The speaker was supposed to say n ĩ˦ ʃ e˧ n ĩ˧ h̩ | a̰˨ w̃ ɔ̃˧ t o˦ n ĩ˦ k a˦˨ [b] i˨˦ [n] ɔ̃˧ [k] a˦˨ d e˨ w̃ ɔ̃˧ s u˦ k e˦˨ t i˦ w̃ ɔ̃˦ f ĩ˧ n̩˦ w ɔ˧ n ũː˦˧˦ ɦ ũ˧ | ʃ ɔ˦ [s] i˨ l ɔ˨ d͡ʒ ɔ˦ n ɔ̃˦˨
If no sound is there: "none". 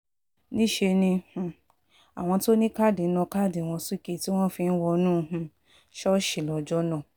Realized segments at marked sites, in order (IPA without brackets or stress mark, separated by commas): d, n, k, ʃ